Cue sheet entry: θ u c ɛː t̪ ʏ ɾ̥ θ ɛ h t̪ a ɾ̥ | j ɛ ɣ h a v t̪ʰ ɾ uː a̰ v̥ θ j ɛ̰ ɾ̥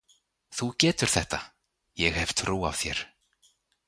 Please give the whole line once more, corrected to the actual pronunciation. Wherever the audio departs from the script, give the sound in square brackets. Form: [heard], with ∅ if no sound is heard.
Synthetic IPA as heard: θ u c ɛː t̪ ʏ ɾ̥ θ ɛ h t̪ a [∅] | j ɛ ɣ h [ɛ] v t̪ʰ ɾ uː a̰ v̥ θ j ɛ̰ ɾ̥